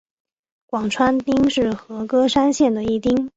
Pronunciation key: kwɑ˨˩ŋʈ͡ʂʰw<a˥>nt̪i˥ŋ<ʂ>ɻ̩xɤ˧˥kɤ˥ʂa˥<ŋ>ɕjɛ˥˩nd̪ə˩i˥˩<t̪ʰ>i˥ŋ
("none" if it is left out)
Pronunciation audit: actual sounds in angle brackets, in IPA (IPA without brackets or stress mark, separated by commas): a˥, ʂ, n, t̪